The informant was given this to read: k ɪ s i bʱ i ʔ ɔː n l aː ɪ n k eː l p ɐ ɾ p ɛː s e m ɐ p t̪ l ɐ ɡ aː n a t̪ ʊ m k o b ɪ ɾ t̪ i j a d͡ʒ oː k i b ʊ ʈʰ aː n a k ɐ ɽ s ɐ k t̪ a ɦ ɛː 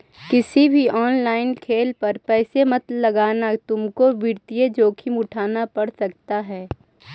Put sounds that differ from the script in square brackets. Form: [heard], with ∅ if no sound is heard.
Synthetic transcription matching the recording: k ɪ s i bʱ i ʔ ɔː n l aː ɪ n [kʰ] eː l p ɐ ɾ p ɛː s e m ɐ [∅] t̪ l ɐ ɡ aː n a t̪ ʊ m k o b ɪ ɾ t̪ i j [e] d͡ʒ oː [kʰ] i [m] ʊ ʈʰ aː n a [p] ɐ ɽ s ɐ k t̪ a ɦ ɛː